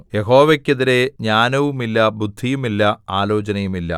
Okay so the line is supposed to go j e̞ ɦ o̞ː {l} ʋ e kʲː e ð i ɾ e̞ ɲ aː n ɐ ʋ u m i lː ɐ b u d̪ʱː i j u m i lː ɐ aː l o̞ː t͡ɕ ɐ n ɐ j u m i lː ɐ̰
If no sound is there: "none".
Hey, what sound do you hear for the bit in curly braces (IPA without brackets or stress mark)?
none